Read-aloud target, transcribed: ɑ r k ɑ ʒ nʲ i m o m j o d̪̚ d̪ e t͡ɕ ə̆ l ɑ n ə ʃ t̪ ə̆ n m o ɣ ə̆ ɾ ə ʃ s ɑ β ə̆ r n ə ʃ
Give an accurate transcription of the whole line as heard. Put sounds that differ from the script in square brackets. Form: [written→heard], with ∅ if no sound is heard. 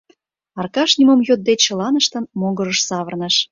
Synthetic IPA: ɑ r k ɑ [ʒ→ʃ] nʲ i m o m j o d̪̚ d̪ e t͡ɕ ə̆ l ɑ n ə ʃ t̪ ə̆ n m o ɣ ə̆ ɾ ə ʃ s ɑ β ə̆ r n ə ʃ